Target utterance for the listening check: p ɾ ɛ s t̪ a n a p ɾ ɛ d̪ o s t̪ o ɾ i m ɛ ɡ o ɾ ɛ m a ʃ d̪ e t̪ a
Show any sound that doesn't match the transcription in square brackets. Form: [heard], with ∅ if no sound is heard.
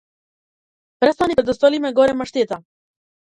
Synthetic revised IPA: p ɾ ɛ s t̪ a n [i] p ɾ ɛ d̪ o s t̪ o [l] i m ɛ ɡ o ɾ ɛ m a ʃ [t̪] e t̪ a